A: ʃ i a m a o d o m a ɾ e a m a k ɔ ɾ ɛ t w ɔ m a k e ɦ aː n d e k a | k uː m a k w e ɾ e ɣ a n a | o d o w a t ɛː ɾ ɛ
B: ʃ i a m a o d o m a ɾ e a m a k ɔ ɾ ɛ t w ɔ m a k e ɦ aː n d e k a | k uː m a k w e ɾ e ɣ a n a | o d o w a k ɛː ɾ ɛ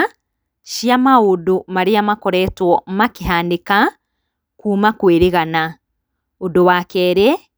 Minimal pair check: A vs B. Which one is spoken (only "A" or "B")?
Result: B